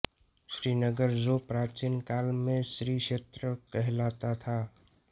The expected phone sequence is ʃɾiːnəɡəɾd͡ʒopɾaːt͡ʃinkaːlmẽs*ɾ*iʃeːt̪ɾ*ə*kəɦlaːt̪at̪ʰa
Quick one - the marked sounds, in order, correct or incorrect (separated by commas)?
correct, correct